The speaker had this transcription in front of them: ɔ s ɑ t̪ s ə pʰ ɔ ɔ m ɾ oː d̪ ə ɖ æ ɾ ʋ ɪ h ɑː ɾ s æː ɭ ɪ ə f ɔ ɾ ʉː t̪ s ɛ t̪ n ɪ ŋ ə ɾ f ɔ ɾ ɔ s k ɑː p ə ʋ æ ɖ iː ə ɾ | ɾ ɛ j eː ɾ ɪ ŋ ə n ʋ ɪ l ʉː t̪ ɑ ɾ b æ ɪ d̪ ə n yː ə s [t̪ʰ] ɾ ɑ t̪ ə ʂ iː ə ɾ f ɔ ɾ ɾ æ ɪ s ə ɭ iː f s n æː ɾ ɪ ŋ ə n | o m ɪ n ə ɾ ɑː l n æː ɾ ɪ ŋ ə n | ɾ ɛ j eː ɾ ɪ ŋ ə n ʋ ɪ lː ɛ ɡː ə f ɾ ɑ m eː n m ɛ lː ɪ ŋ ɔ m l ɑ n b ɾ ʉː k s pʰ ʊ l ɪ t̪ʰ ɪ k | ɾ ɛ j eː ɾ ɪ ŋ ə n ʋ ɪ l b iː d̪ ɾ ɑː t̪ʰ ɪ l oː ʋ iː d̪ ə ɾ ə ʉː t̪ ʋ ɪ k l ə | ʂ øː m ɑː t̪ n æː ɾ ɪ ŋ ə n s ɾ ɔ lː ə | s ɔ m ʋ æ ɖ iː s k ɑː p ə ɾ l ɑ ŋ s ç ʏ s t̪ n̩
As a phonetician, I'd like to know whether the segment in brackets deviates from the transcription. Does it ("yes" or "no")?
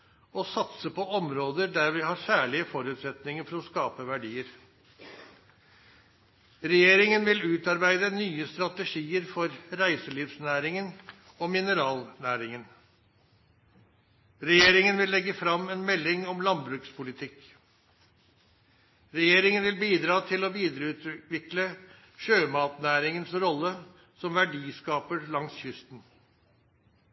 yes